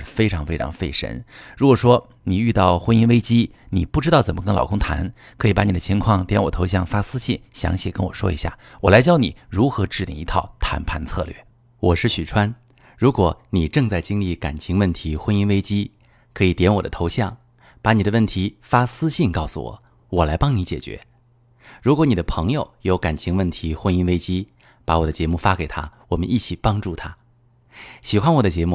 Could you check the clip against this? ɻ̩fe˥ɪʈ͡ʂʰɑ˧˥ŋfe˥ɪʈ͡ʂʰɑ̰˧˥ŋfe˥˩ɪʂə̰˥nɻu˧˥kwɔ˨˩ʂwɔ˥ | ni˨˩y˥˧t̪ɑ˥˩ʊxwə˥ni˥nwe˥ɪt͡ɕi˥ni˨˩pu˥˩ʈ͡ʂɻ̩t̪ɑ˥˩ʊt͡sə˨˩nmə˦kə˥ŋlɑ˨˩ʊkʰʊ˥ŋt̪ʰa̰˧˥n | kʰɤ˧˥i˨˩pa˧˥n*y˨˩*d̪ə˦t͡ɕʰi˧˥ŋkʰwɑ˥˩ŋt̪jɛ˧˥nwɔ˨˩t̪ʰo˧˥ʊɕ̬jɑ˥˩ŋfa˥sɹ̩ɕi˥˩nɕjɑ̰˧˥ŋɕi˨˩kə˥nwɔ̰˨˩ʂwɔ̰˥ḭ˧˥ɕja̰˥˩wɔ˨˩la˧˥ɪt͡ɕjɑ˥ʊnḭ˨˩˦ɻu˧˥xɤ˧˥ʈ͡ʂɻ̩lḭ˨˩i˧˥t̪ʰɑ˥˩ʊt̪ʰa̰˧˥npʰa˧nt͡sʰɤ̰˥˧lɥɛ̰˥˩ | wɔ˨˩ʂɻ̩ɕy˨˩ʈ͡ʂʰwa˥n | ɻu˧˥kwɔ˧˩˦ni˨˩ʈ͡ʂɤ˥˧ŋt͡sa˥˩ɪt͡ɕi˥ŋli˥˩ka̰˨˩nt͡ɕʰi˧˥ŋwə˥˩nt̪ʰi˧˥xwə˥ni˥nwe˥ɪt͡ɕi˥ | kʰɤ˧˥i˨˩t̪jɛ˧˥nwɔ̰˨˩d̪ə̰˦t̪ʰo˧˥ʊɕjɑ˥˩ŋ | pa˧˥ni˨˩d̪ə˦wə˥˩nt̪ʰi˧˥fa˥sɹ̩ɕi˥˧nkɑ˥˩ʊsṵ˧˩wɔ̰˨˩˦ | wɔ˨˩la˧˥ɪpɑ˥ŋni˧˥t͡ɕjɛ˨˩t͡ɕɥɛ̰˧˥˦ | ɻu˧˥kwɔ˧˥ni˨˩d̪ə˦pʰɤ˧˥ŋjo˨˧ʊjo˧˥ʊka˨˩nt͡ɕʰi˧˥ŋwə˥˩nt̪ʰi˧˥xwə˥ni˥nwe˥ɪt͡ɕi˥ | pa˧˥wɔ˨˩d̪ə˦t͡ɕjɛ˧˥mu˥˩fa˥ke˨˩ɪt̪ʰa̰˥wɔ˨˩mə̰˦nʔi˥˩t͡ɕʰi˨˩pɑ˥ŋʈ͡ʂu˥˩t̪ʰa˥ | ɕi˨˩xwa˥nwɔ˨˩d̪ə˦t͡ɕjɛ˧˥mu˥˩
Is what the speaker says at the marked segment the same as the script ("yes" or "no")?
no